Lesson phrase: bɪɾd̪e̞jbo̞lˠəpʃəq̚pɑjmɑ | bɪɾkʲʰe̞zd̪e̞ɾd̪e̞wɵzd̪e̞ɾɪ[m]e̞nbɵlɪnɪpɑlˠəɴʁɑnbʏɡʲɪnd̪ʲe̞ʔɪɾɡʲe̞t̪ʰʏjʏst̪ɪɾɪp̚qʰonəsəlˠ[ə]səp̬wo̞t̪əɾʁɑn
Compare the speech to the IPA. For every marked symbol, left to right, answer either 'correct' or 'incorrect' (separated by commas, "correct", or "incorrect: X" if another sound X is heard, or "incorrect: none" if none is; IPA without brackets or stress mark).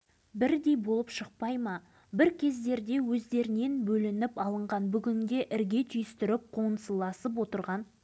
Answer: incorrect: n, incorrect: ɑ